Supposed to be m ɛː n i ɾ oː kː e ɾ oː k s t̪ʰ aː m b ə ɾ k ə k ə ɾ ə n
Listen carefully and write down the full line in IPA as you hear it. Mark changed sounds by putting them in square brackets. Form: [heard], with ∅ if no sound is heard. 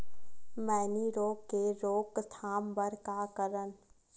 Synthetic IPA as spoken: m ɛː n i ɾ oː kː e ɾ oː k s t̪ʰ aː m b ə ɾ k [a] k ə ɾ ə n

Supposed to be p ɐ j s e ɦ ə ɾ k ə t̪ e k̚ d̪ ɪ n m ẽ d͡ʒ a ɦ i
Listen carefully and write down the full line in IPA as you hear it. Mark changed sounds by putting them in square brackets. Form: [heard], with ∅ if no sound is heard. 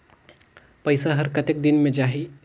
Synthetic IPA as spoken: p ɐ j s [a] ɦ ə ɾ k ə t̪ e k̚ d̪ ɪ n m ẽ d͡ʒ a ɦ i

